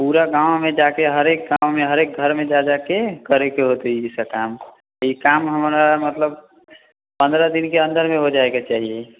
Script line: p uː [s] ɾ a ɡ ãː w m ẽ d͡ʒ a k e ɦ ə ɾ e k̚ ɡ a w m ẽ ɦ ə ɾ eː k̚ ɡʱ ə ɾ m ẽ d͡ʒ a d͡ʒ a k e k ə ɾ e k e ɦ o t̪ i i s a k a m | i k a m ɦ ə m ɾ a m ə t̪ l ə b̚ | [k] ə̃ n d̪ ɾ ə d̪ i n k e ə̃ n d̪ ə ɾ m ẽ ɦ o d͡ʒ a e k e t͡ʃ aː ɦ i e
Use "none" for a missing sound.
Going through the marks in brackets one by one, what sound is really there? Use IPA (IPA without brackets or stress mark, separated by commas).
none, p